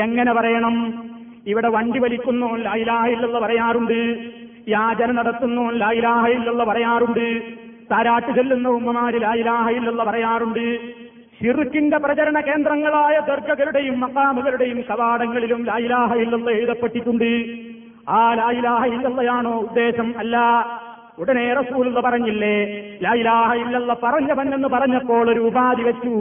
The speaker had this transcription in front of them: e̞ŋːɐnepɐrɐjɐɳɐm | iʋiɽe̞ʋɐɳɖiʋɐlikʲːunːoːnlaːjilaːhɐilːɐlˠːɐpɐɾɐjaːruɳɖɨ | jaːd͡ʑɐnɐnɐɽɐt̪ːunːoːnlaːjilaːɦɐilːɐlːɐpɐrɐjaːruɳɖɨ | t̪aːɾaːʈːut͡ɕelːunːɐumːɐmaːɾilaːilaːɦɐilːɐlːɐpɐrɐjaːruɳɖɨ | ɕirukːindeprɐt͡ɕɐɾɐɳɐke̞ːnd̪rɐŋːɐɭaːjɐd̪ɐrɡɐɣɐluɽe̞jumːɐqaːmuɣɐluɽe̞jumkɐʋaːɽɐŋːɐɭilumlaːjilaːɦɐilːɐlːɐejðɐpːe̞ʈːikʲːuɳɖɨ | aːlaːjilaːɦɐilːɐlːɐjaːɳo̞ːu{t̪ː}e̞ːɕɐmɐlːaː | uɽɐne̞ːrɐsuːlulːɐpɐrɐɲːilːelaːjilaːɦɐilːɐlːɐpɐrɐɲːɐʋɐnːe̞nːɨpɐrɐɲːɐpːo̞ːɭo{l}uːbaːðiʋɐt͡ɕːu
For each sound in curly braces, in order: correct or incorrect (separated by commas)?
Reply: incorrect, incorrect